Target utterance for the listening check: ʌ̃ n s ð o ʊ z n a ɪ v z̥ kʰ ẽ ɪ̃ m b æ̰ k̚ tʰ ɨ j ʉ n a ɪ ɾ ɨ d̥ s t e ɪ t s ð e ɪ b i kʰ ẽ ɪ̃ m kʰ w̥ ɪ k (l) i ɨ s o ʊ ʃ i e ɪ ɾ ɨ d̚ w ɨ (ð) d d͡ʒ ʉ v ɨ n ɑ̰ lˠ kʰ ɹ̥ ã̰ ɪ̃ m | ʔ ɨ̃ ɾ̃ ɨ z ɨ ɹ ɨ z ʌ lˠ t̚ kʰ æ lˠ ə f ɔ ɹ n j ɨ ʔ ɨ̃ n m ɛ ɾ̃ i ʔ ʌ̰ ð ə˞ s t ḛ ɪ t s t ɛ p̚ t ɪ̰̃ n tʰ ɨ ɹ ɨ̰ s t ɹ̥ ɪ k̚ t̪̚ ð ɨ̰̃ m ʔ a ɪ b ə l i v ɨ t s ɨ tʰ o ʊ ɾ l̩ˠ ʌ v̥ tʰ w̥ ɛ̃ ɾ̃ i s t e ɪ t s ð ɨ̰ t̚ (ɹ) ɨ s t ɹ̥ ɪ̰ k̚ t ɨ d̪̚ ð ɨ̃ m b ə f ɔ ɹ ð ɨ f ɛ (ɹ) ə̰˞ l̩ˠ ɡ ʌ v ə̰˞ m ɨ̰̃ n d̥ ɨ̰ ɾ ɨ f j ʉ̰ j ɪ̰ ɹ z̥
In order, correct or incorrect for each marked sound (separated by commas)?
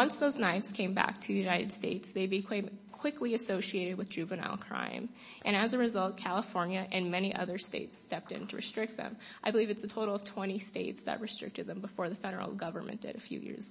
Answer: correct, correct, correct, incorrect